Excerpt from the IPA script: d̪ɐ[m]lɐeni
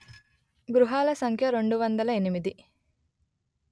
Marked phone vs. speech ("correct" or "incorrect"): incorrect